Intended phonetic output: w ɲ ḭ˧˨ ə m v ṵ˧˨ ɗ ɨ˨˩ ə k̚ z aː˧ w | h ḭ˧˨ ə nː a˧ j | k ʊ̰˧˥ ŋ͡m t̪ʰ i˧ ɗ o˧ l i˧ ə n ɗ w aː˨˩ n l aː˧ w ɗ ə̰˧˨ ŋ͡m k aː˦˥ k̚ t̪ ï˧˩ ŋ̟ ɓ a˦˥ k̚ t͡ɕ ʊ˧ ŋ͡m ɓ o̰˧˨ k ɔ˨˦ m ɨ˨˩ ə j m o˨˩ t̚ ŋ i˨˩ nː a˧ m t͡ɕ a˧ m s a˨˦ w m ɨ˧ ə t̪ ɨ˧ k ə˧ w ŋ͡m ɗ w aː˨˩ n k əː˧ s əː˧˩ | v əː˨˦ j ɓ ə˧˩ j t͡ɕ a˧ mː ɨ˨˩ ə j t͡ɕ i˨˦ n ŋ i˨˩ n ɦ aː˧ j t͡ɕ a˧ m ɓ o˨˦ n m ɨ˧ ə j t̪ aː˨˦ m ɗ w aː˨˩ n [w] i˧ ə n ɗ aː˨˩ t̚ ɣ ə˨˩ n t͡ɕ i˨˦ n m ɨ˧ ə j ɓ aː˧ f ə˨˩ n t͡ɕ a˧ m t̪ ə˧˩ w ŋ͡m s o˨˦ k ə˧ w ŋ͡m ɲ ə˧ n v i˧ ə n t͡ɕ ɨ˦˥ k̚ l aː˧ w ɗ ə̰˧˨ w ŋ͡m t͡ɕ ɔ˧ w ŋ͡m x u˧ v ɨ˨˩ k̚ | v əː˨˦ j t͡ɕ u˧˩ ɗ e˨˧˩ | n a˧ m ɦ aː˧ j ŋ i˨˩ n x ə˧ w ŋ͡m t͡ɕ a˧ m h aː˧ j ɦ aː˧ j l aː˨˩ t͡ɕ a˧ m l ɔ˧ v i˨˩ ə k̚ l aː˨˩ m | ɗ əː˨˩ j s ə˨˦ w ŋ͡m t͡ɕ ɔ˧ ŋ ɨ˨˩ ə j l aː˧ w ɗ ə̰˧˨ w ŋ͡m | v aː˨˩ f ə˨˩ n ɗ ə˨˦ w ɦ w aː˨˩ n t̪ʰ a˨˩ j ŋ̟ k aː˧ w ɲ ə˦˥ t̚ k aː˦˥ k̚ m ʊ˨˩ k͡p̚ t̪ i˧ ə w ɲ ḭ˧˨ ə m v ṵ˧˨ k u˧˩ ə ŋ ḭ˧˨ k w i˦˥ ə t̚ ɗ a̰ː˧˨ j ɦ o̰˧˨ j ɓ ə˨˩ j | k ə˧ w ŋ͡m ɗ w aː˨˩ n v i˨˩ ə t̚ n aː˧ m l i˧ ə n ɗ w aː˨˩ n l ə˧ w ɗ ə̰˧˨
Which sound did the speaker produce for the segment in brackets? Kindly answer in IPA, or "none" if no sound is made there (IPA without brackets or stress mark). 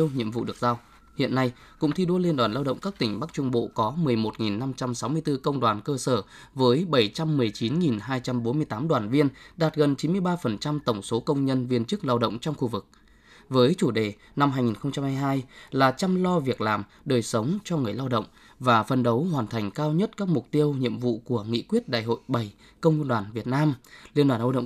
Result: v